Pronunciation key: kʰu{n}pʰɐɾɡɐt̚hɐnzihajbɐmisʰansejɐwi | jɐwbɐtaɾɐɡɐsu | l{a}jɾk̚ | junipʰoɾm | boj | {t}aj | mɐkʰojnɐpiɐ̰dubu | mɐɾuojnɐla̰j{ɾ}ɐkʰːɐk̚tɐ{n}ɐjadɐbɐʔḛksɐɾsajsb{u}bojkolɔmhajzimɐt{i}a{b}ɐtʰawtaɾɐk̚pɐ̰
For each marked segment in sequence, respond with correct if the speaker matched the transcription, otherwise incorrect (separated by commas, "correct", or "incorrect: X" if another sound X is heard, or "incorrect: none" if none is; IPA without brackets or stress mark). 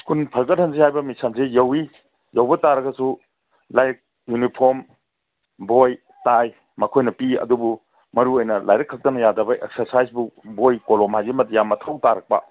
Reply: correct, correct, correct, correct, correct, correct, incorrect: j, incorrect: m